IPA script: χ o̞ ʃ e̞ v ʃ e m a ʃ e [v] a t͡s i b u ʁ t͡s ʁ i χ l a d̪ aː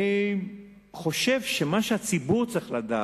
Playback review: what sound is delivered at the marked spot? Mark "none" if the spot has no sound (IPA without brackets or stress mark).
none